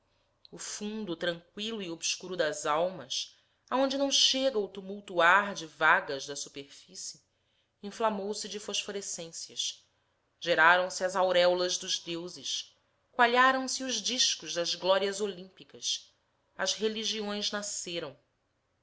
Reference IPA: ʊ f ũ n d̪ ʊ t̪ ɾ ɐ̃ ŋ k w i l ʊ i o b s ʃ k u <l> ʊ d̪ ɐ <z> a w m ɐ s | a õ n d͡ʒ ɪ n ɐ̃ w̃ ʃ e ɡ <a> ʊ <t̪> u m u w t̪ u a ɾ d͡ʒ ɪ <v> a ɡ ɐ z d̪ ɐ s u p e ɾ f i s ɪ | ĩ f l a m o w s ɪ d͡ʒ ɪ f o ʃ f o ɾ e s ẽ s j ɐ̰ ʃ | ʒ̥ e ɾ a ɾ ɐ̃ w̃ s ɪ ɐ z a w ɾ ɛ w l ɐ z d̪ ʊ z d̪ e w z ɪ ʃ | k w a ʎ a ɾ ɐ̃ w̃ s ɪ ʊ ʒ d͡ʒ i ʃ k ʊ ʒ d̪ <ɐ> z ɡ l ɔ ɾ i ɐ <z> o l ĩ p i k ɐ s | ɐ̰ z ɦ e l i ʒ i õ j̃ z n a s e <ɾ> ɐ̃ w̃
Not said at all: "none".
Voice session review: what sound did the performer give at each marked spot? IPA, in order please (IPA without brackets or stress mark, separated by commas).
ɾ, z, ɐ, t̪, v, ɐ, z, ɾ